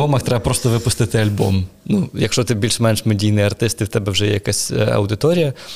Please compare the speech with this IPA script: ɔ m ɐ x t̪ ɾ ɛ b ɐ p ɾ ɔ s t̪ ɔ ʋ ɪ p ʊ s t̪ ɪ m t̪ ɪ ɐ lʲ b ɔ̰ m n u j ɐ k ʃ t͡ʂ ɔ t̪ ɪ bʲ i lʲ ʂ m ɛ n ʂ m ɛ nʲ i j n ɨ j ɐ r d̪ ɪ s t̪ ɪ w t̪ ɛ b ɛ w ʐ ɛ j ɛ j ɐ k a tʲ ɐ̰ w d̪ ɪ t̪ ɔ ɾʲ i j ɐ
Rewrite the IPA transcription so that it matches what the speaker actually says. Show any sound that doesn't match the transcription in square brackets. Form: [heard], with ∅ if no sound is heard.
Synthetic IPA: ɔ m ɐ x t̪ ɾ ɛ b ɐ p ɾ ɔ s t̪ ɔ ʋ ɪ p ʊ s t̪ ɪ [∅] t̪ ɪ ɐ lʲ b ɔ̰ m n u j ɐ k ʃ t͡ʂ ɔ t̪ ɪ bʲ i lʲ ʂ m ɛ n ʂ m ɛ [dʲ] i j n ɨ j ɐ r [t̪] ɪ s t̪ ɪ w t̪ ɛ b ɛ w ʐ ɛ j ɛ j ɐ k a [sʲ] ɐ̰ w d̪ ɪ t̪ ɔ ɾʲ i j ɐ